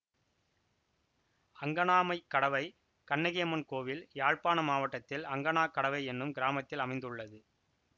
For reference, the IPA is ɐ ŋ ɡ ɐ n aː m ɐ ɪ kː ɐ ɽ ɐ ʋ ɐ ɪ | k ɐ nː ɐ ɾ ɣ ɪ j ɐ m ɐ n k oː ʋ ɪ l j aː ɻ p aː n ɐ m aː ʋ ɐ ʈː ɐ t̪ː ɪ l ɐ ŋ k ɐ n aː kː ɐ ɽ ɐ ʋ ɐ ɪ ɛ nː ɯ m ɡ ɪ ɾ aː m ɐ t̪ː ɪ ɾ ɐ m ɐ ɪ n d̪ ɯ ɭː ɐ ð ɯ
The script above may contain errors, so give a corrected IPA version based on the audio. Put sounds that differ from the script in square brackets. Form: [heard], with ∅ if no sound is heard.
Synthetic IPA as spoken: ɐ ŋ ɡ ɐ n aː m ɐ ɪ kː ɐ ɽ ɐ ʋ ɐ ɪ | k ɐ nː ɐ [∅] ɣ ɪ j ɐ m ɐ n k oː ʋ ɪ l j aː ɻ p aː n ɐ m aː ʋ ɐ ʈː ɐ t̪ː ɪ l ɐ ŋ [ɡ] ɐ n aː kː ɐ ɽ ɐ ʋ ɐ ɪ ɛ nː ɯ m ɡ ɪ ɾ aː m ɐ t̪ː ɪ [l] ɐ m ɐ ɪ n d̪ ɯ ɭː ɐ ð ɯ